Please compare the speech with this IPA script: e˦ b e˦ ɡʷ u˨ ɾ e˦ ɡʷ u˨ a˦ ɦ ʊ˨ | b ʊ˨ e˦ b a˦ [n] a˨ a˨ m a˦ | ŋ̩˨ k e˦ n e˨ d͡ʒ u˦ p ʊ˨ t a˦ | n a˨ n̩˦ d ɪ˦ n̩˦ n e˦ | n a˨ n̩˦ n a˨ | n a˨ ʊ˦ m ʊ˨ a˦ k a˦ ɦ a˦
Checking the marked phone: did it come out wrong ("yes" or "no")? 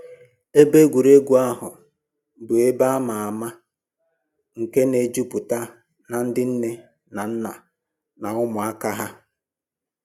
yes